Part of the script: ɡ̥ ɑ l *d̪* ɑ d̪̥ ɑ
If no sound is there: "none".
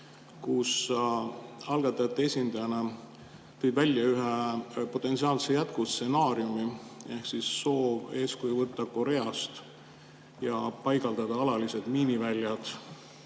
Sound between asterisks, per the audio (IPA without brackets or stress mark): d̪